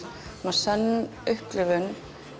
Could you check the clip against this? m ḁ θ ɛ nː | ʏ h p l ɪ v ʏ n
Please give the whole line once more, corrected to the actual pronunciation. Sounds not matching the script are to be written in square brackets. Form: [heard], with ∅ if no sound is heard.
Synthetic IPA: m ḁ [s] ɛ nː | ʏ h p l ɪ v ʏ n

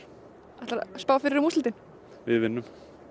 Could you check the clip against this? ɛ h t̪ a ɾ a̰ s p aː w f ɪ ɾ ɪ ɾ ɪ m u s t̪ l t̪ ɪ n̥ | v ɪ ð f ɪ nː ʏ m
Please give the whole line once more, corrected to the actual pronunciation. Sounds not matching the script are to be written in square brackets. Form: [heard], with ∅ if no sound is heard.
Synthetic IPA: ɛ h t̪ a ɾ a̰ s p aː w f ɪ ɾ ɪ ɾ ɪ m u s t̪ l t̪ ɪ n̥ | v ɪ ð [v] ɪ nː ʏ m

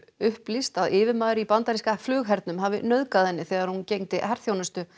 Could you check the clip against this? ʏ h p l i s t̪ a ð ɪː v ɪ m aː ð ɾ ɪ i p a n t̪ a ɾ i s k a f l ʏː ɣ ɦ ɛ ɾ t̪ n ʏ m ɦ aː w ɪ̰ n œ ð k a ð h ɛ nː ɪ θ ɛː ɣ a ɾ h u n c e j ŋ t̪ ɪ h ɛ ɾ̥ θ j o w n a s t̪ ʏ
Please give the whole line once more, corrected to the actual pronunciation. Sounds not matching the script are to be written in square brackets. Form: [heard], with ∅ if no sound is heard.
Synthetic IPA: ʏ h p l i s t̪ a ð ɪː v ɪ m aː ð ɾ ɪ i p a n t̪ a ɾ i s k a f l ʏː ɣ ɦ ɛ ɾ t̪ n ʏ m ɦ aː [v] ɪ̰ n œ ð k a ð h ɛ nː ɪ θ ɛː ɣ a ɾ h u n c e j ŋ t̪ ɪ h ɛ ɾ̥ θ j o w n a s t̪ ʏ

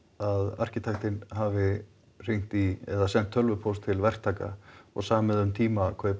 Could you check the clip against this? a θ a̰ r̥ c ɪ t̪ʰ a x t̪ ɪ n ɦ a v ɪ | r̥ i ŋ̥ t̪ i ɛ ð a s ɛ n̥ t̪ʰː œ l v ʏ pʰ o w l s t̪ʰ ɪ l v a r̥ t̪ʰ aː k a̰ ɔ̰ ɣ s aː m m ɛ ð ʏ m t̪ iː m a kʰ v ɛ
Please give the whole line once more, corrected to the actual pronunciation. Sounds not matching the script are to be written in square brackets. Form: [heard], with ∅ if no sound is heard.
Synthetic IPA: a [ð] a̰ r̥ c ɪ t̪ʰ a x t̪ ɪ n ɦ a v ɪ | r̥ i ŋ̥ t̪ i ɛ ð a s ɛ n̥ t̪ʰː œ l v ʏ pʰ o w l s t̪ʰ ɪ l v [ɛ] r̥ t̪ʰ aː k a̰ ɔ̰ ɣ s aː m m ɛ ð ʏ m [t̪ʰ] iː m a kʰ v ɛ

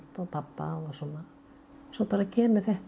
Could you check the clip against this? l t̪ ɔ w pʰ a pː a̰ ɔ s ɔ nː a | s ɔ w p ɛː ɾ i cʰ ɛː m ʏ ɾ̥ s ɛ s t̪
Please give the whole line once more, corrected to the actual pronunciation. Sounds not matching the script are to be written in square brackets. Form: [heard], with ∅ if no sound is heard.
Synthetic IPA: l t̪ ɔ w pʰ a pː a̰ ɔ s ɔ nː a | s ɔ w p [aː] ɾ [a] cʰ ɛː m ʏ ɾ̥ [θ] ɛ [h] t̪

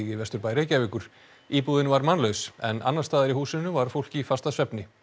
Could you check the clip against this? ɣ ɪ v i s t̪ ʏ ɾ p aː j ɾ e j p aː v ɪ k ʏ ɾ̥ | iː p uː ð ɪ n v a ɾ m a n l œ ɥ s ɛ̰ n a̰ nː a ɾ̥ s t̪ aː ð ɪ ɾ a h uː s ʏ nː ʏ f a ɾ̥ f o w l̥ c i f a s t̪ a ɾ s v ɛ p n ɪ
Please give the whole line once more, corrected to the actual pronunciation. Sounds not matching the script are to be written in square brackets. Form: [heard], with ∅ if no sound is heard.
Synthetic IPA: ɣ ɪ v [ɛ] s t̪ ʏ ɾ p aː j ɾ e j [c] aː v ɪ k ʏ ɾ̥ | iː p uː ð ɪ n v a ɾ m a n l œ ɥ s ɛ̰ n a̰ nː a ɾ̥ s t̪ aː ð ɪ ɾ [i] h uː s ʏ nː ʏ [v] a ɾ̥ f o w l̥ c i f a s t̪ a [∅] s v ɛ p n ɪ

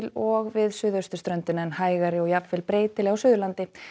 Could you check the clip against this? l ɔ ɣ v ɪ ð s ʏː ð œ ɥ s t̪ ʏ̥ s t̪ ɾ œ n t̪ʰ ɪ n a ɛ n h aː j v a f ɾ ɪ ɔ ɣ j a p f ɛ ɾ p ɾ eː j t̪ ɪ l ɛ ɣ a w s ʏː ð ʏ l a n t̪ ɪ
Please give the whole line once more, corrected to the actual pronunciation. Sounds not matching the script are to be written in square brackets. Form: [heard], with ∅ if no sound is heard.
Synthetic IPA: l ɔ ɣ v ɪ ð s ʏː ð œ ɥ s t̪ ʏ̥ s t̪ ɾ œ n [t̪] ɪ n a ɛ n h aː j [ɣ] a [∅] ɾ ɪ ɔ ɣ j a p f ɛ [l] p ɾ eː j t̪ ɪ l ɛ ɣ a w s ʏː ð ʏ l a n t̪ ɪ

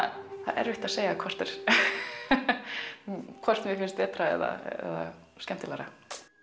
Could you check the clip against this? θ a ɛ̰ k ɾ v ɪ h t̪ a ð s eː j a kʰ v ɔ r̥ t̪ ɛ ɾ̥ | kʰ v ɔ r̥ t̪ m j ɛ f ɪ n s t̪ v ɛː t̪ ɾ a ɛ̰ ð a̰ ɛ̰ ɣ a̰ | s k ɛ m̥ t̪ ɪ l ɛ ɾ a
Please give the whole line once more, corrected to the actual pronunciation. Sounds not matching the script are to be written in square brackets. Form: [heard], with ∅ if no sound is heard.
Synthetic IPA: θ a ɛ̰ [∅] ɾ v ɪ h t̪ a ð s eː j a kʰ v ɔ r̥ t̪ ɛ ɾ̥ | kʰ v ɔ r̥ t̪ m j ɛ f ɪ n s t̪ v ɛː t̪ ɾ a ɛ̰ ð a̰ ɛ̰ [ð] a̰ | s k ɛ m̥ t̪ ɪ l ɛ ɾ a

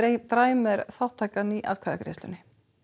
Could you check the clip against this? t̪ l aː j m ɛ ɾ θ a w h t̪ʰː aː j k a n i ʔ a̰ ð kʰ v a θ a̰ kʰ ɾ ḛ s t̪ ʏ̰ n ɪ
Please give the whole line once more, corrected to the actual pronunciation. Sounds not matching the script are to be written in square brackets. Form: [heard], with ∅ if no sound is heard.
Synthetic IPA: t̪ [ɾ] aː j m ɛ ɾ θ a w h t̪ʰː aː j k a n i ʔ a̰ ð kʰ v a [ð] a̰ [k] ɾ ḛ s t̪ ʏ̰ n ɪ

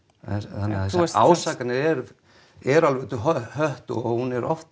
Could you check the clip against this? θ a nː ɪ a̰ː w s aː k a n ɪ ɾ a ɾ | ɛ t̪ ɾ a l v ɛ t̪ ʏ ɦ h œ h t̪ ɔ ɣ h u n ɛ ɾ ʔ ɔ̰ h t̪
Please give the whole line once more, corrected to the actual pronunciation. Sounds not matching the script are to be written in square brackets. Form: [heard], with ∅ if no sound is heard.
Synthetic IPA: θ a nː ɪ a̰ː w s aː k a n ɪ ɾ [ɛ] ɾ | ɛ [∅] ɾ a l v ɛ t̪ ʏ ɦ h œ h t̪ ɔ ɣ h u n ɛ ɾ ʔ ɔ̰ [f] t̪

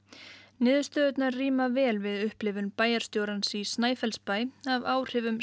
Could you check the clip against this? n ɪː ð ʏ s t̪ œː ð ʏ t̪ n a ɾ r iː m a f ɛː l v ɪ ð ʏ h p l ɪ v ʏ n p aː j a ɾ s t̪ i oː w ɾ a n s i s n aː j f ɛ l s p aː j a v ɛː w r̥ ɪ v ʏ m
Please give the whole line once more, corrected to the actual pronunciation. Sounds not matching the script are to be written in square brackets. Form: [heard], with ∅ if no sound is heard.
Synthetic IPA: n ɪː ð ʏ s t̪ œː ð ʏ t̪ n a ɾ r iː m a [v] ɛː l v ɪ ð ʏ h p l ɪ v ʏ n p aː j a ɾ s t̪ [j] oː w ɾ a n s i s n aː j f ɛ l s p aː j a v [aː] w r̥ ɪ v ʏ m

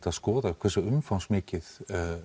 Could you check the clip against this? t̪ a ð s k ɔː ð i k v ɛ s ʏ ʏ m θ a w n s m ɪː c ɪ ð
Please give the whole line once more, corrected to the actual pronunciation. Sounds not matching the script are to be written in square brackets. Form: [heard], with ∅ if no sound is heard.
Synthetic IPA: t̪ a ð s k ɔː ð [a] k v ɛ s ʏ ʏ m [f] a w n s m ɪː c ɪ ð

